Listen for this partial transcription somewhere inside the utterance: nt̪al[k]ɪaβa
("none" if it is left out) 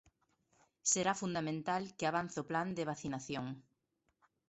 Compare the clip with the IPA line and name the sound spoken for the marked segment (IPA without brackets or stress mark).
k